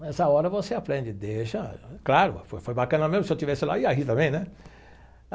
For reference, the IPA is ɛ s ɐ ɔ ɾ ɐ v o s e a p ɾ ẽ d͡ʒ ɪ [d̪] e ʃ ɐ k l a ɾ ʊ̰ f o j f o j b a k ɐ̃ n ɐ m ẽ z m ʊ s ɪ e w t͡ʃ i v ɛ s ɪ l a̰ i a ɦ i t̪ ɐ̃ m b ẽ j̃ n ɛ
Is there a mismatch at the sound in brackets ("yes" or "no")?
no